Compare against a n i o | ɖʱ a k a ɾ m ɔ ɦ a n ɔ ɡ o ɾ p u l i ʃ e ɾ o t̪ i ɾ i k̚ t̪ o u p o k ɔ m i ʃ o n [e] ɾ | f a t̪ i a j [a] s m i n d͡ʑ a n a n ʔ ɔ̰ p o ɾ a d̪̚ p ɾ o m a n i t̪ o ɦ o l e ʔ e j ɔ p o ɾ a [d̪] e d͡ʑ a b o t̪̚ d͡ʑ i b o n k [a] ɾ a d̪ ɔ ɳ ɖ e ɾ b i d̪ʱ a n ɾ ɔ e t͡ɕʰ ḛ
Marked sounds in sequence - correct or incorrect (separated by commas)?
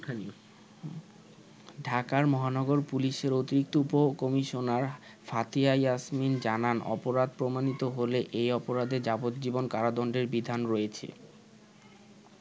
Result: incorrect, correct, correct, correct